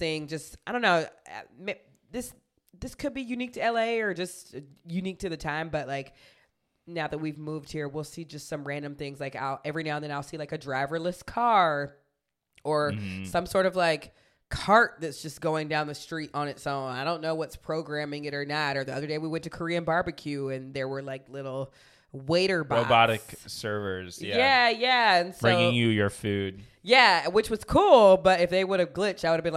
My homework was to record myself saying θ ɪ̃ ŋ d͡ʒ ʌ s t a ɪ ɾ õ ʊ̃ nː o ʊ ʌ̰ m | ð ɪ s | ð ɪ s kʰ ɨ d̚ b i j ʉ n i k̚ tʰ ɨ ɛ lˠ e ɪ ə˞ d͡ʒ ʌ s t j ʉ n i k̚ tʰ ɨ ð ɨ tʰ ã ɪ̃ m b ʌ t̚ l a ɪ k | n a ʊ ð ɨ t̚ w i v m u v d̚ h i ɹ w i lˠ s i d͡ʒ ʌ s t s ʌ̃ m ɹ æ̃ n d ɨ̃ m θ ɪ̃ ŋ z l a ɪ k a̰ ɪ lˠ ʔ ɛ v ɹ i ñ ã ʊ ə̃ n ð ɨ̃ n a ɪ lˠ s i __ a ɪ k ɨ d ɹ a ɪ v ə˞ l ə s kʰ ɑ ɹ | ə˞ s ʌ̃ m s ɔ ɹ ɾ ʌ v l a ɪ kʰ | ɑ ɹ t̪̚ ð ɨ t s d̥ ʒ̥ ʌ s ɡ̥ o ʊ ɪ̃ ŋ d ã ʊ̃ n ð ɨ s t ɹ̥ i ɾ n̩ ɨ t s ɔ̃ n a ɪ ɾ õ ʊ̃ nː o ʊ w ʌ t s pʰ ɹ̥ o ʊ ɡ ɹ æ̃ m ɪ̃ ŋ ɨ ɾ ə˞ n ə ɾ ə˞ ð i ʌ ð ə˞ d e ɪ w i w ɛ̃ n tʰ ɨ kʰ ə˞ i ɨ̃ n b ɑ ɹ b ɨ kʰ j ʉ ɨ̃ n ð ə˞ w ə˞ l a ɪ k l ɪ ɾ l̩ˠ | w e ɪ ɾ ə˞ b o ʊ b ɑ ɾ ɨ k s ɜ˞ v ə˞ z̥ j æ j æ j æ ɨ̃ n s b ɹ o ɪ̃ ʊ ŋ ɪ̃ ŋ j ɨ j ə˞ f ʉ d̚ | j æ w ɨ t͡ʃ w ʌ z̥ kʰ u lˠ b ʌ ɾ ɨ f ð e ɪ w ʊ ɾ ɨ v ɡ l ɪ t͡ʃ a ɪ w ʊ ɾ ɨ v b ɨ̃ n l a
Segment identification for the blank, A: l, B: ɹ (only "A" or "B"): A